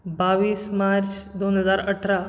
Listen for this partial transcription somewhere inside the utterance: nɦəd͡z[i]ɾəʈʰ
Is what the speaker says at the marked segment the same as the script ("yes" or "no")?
no